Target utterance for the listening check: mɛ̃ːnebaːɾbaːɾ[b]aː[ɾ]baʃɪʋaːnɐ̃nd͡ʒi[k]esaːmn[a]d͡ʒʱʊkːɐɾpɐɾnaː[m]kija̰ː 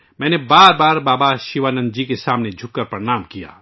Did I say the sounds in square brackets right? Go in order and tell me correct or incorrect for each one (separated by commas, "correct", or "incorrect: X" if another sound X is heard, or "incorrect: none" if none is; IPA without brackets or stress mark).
correct, incorrect: none, correct, incorrect: e, correct